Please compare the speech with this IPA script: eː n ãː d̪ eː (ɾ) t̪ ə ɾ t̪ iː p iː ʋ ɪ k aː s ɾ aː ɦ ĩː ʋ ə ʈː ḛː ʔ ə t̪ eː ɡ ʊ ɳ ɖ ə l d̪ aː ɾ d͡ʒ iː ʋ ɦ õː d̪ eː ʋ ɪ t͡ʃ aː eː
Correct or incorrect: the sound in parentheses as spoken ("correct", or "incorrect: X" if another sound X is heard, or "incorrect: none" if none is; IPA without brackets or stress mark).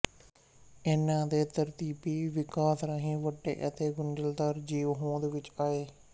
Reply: incorrect: none